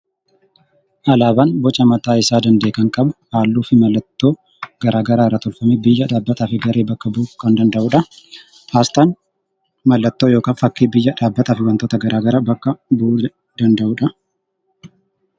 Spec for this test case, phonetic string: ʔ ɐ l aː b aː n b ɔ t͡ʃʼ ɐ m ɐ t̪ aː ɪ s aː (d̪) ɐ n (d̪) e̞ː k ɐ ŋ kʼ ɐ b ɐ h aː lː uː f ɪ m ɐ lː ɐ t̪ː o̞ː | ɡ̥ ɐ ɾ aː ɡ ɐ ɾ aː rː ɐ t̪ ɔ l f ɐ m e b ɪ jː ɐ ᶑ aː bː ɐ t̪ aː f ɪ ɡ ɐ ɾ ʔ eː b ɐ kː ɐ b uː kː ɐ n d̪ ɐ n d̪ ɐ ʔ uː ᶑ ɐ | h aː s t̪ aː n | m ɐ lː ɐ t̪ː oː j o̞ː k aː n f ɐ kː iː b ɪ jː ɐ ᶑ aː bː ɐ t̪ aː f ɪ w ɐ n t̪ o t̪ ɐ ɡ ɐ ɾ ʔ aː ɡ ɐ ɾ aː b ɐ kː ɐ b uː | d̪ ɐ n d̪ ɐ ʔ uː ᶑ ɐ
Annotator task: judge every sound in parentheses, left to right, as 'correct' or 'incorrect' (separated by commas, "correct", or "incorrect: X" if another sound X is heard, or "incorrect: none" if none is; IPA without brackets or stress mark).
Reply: correct, correct